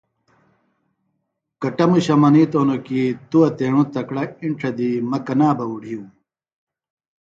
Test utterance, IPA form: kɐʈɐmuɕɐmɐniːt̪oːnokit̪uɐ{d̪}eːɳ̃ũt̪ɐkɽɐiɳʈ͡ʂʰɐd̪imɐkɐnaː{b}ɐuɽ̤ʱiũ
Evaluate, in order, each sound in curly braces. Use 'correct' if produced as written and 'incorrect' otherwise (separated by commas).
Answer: incorrect, correct